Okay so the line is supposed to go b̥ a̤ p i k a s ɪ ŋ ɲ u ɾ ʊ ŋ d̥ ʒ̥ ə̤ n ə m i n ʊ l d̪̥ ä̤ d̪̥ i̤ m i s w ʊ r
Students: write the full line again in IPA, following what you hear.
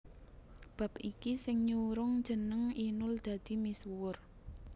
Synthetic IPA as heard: b̥ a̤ p i k i s ɪ ŋ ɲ u ɾ ʊ ŋ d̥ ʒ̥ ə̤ n ə ŋ i n ʊ l d̪̥ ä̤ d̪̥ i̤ m i s w ʊ r